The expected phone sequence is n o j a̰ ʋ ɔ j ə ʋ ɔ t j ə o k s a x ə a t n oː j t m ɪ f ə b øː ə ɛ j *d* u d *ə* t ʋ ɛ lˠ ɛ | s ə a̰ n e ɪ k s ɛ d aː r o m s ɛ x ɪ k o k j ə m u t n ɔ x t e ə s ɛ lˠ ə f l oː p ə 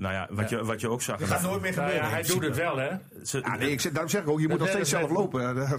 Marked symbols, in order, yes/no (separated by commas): yes, yes